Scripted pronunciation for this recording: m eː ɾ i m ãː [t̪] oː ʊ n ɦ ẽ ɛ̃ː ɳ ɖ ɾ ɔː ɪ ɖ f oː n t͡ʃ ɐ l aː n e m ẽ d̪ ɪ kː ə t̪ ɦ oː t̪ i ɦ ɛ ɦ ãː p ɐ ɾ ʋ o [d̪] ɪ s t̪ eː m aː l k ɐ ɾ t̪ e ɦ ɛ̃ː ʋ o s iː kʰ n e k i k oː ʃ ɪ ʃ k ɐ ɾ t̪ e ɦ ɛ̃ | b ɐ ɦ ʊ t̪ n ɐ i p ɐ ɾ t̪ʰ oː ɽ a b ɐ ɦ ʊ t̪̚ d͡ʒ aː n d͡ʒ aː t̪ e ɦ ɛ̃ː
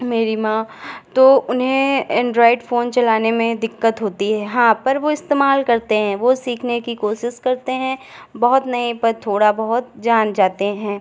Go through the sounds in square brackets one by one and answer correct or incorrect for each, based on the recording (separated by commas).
correct, incorrect